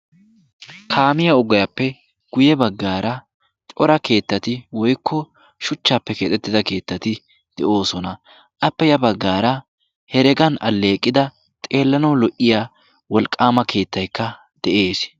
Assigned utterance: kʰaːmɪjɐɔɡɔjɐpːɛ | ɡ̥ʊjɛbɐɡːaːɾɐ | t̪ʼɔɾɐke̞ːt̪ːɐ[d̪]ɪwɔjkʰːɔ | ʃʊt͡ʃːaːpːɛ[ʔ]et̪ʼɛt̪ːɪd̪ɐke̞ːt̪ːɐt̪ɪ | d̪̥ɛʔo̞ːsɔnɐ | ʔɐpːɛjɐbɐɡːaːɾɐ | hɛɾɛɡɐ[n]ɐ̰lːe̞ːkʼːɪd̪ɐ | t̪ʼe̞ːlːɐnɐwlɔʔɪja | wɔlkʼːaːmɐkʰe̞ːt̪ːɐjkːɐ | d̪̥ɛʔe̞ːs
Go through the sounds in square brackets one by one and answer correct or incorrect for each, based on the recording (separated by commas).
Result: incorrect, incorrect, correct